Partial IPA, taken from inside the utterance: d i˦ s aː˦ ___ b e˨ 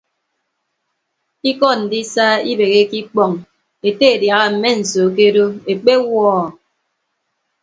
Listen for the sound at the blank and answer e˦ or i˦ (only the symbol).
i˦